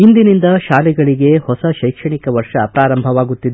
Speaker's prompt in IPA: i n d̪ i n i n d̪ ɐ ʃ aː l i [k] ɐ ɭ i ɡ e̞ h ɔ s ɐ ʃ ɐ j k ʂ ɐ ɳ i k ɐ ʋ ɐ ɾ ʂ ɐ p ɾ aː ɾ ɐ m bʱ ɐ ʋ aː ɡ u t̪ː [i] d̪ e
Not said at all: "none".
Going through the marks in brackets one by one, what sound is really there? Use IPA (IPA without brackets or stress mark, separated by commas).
ɡ, i